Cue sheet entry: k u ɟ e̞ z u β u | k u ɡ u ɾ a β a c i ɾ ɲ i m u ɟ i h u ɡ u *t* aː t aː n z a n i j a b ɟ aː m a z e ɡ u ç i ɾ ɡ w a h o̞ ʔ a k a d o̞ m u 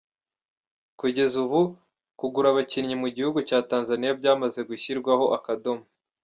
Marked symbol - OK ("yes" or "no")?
no